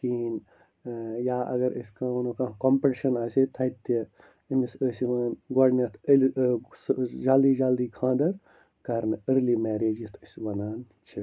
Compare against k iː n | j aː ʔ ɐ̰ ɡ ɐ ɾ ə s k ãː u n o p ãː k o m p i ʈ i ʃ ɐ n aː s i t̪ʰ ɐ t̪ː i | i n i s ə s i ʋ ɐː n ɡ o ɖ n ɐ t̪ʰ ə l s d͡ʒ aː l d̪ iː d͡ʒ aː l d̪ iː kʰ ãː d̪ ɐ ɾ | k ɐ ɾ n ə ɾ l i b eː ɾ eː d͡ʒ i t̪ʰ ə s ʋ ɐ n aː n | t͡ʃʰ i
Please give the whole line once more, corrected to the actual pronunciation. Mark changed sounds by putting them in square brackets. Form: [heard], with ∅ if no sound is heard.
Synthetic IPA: k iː n | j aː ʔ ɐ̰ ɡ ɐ ɾ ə s k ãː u n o [k] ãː k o m p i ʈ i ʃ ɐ n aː s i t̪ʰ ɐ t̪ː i | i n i s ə s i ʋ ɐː n ɡ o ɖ n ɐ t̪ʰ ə l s d͡ʒ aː l d̪ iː d͡ʒ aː l d̪ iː kʰ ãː d̪ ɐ ɾ | k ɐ ɾ n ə ɾ l i [m] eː ɾ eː d͡ʒ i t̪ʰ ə s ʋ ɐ n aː n | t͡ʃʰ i